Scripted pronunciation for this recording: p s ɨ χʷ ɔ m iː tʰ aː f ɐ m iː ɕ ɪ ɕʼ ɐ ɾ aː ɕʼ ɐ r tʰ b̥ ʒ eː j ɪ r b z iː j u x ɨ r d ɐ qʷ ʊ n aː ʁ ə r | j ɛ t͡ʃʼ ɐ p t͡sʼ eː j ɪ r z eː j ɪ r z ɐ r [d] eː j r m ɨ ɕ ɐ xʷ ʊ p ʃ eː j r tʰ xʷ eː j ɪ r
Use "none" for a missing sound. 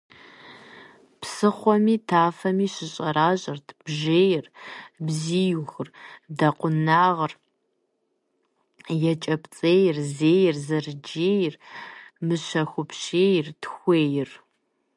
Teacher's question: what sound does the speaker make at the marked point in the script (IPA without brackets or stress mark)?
d͡ʒ